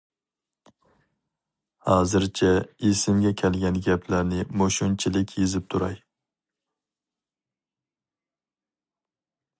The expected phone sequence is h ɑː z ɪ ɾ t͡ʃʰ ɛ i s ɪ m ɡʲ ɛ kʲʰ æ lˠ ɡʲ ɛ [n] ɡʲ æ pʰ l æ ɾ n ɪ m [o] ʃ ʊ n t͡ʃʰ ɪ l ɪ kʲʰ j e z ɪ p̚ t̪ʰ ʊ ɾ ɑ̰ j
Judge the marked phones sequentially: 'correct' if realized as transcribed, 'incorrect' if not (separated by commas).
correct, correct